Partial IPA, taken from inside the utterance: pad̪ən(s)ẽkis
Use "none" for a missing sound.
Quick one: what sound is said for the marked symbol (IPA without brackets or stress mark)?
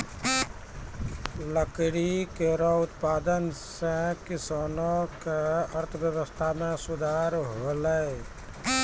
s